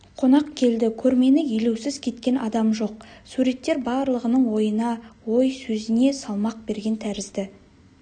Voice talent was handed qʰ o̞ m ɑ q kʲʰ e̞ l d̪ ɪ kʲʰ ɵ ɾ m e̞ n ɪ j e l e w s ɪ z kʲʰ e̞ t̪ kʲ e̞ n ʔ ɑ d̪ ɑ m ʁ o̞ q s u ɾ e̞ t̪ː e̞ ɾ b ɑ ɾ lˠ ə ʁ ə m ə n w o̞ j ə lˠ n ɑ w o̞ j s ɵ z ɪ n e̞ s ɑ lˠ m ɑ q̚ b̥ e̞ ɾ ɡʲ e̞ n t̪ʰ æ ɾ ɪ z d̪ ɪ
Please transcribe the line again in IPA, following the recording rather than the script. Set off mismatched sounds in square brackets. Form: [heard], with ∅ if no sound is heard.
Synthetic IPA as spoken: qʰ o̞ [n] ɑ q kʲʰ e̞ l d̪ ɪ kʲʰ ɵ ɾ m e̞ n ɪ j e l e w s ɪ z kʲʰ e̞ t̪ kʲ e̞ n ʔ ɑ d̪ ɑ m [ʒ] o̞ q s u ɾ e̞ t̪ː e̞ ɾ b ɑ ɾ lˠ ə ʁ ə [n] ə [ɴ] w o̞ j ə [∅] n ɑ w o̞ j s ɵ z ɪ n e̞ s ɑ lˠ m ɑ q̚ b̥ e̞ ɾ ɡʲ e̞ n t̪ʰ æ ɾ ɪ z d̪ ɪ